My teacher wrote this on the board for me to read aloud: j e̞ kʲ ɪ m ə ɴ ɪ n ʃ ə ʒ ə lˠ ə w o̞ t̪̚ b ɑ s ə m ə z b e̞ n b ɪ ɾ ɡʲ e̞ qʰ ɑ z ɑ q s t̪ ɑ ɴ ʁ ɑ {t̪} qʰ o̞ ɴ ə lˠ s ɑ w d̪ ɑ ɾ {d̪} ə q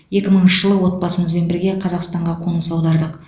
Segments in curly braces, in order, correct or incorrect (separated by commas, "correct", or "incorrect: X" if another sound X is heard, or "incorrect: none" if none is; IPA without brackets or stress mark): incorrect: none, correct